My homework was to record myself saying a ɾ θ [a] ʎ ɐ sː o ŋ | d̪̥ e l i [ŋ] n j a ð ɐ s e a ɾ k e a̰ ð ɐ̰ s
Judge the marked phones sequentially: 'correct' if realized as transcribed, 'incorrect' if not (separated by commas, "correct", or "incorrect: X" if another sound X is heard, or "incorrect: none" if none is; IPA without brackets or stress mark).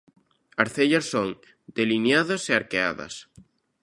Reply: incorrect: e, incorrect: none